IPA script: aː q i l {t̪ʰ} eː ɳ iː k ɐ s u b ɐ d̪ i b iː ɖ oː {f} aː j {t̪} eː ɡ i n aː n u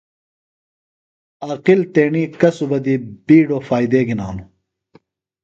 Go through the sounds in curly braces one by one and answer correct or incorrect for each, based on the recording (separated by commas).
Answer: incorrect, correct, incorrect